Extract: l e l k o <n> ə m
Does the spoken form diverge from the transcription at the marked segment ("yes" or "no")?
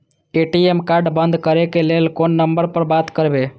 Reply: yes